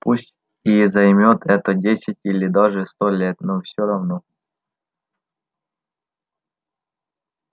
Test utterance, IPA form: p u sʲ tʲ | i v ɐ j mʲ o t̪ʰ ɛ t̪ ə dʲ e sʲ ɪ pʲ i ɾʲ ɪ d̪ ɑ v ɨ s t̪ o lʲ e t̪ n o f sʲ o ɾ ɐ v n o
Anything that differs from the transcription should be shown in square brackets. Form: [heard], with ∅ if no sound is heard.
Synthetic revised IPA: p u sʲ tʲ | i [z] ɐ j mʲ o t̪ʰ ɛ t̪ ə dʲ e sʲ ɪ [tʲ] i [lʲ] ɪ d̪ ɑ [ʐ] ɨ s t̪ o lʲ e t̪ n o f sʲ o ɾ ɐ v n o